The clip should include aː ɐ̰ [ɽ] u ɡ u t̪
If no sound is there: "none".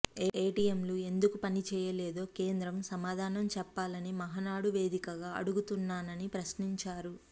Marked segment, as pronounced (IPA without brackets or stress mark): ɽ